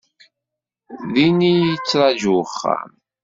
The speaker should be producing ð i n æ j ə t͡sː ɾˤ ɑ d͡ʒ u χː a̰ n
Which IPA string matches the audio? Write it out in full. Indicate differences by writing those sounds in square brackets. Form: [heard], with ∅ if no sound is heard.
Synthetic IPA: ð i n [i] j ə t͡sː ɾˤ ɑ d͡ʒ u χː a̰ [m]

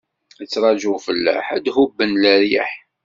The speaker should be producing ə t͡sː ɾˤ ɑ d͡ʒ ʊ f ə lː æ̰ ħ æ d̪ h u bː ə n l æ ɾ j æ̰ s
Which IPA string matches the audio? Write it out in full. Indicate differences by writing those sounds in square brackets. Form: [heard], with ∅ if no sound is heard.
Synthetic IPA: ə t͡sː ɾˤ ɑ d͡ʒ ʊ f ə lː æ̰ ħ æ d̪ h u bː ə n l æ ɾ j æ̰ [ħ]

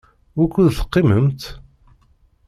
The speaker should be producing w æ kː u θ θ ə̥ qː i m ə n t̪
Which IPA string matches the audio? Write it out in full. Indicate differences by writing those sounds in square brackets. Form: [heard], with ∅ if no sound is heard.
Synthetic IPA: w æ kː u [ð] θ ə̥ qː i m ə [m] t̪

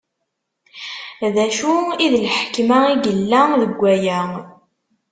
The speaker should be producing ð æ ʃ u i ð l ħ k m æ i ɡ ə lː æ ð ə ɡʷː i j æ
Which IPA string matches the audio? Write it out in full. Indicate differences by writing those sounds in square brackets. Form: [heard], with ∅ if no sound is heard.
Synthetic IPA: ð æ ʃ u i ð l ħ k m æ i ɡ ə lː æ ð ə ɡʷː [æ] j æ

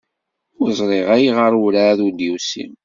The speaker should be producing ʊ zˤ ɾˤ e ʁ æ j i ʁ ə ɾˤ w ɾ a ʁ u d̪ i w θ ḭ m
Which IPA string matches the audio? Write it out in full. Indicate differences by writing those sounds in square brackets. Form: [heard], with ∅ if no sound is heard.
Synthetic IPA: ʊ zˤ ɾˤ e ʁ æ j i ʁ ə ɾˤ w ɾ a [ð] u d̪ i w [s] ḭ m

